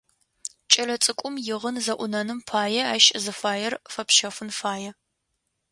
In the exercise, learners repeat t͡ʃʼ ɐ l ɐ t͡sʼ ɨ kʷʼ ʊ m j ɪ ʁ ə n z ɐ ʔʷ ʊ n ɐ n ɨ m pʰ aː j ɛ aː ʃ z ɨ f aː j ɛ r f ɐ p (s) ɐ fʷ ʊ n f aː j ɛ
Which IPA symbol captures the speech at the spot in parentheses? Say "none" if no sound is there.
ʃ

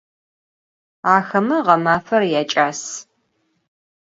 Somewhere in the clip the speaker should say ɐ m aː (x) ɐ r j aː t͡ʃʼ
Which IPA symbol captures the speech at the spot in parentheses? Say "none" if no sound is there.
f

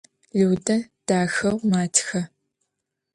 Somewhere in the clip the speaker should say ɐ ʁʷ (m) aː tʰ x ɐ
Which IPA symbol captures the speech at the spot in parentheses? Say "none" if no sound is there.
m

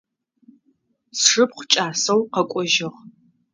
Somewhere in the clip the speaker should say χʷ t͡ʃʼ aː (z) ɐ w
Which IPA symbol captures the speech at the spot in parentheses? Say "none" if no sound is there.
s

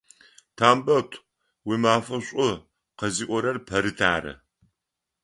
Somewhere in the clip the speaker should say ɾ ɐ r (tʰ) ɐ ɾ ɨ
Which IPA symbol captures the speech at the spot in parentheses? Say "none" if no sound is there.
pʰ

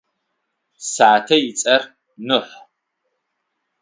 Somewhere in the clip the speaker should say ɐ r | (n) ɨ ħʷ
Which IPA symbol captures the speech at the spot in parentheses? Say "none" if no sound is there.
n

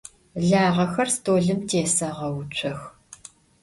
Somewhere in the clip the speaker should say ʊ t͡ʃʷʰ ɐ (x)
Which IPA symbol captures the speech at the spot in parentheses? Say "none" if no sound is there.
x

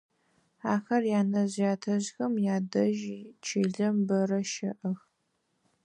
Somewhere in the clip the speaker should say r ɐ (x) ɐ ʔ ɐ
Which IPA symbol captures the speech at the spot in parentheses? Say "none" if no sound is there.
ʃ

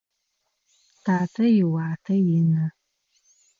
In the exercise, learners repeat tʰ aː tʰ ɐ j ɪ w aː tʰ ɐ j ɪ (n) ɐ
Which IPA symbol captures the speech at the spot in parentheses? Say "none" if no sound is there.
n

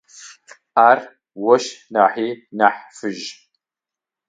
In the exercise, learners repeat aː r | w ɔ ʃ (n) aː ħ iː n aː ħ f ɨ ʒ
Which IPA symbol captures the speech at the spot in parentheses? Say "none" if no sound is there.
n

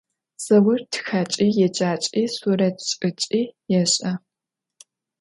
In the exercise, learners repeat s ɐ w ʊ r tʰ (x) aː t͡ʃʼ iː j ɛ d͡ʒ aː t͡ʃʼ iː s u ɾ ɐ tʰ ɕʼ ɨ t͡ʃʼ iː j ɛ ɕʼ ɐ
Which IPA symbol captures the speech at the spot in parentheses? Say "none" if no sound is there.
x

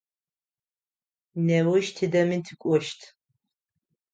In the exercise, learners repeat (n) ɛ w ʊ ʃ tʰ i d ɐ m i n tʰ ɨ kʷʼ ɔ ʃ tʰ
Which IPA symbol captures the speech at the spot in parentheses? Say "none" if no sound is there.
n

